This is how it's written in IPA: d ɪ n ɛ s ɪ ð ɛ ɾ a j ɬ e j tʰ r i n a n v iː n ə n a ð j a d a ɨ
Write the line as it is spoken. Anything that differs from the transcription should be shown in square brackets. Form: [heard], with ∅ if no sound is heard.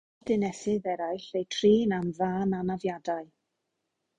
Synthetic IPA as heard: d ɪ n ɛ s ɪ ð ɛ ɾ a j ɬ e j tʰ r [iː] n a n v [aː] n [a] n a [v] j a d a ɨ

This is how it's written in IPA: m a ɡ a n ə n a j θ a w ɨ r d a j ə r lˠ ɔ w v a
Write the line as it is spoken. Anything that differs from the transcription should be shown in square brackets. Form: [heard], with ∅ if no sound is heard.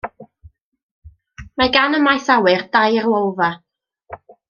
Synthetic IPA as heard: m a ɡ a n ə [m] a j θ a w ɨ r d a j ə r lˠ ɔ w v a

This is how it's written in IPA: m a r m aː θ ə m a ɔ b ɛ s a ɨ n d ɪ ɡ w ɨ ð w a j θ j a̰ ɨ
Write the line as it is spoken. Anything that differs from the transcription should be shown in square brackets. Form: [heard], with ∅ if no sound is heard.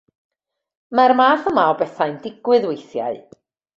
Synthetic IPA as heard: m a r m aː θ ə m a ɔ b ɛ [θ] a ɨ n d ɪ ɡ w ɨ ð w [e] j θ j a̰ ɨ

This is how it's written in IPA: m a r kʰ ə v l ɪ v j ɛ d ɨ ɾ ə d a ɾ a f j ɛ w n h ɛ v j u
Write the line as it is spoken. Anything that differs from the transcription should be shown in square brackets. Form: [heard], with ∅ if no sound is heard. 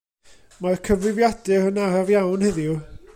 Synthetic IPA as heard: m a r kʰ ə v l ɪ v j [a] d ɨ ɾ ə [n] a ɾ a [v] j [a] w n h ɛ [ð] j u

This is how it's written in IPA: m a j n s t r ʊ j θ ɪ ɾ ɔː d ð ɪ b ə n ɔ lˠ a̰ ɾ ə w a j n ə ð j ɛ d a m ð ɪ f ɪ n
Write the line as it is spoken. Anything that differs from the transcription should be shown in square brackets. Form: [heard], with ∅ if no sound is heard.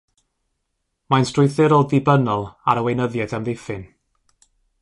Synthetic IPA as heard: m a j n s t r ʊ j θ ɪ ɾ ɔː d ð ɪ b ə n ɔ lˠ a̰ ɾ ə w [e] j n ə ð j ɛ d a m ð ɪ f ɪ n

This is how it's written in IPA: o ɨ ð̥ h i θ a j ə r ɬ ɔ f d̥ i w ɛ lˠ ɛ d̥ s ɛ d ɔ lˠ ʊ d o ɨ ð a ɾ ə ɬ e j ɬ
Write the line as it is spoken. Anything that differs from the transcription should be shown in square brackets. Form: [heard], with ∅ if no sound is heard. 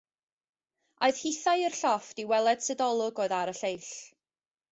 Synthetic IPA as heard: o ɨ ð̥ h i θ a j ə r ɬ ɔ f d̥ i w ɛ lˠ ɛ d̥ s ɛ d ɔ lˠ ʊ [ɡ] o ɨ ð a ɾ ə ɬ e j ɬ

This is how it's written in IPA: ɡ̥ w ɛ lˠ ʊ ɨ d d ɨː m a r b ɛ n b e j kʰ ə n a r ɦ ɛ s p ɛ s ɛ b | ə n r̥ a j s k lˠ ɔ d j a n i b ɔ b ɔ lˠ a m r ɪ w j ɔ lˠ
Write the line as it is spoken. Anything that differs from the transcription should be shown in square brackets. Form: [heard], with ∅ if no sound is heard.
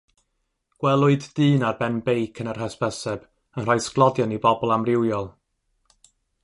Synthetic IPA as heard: ɡ̥ w ɛ lˠ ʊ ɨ d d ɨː [n] a r b ɛ n b e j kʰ ə n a r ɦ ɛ s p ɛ s ɛ b | ə n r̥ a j s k lˠ ɔ d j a n i b ɔ b ɔ lˠ a m r ɪ w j ɔ lˠ

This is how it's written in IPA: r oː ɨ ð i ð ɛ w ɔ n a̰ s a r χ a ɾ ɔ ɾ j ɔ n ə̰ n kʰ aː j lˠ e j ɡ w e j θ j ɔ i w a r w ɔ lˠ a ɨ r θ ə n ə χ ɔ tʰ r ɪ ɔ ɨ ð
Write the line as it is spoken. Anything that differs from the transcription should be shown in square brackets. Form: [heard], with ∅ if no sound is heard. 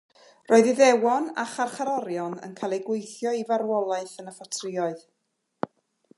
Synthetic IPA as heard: r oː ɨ ð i ð ɛ w ɔ n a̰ [χ] a r χ a ɾ ɔ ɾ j ɔ n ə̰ n kʰ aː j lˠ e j ɡ w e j θ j ɔ i [v] a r w ɔ lˠ a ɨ [∅] θ ə n ə [f] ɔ tʰ r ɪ ɔ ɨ ð

